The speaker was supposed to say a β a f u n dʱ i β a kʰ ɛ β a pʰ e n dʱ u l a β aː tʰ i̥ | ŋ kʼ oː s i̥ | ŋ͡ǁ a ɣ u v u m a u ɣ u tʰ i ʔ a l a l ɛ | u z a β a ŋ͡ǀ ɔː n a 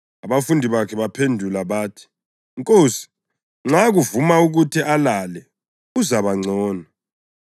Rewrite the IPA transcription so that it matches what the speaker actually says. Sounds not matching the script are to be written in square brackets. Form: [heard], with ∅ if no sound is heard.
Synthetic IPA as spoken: a β a f u n dʱ i β a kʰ ɛ β a pʰ e n dʱ u l a β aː tʰ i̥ | ŋ kʼ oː s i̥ | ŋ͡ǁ a ɣ u v u m a u ɣ u tʰ i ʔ a l a l ɛ | u z a β a ŋ͡ǀ ɔː n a